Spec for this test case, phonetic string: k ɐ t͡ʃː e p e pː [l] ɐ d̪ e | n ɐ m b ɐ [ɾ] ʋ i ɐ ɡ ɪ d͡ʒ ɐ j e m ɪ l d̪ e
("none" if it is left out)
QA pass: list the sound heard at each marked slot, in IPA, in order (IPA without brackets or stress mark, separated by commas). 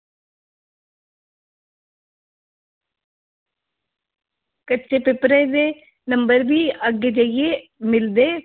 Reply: ɾ, ɾ